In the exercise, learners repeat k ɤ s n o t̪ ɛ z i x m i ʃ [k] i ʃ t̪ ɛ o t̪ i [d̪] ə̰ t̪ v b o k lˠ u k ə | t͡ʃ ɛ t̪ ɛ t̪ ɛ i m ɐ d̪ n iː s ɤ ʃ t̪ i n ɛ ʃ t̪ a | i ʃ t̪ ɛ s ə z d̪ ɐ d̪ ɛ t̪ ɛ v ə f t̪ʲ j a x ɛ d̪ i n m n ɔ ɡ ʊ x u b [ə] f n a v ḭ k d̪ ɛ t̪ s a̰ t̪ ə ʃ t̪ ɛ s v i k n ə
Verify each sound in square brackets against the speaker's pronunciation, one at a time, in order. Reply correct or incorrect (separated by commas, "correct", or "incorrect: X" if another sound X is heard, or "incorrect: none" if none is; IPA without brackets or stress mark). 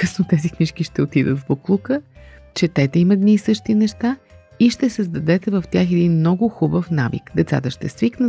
correct, correct, correct